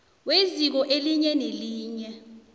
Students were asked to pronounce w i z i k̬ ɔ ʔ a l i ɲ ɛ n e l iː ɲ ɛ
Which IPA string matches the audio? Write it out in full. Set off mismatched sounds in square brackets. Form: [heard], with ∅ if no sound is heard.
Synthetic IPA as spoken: w [e] z i k̬ ɔ ʔ [e] l i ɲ ɛ n e l iː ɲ ɛ